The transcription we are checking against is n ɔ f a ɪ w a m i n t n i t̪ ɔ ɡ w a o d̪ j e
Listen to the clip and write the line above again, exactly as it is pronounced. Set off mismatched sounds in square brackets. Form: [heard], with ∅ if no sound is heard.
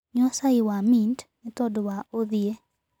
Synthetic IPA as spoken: [ɲ] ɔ [s] a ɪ w a m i n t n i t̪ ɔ [d] w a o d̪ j e